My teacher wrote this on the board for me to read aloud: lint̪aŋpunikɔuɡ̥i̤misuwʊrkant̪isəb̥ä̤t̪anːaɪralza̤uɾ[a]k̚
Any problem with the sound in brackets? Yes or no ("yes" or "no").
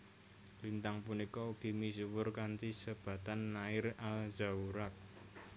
no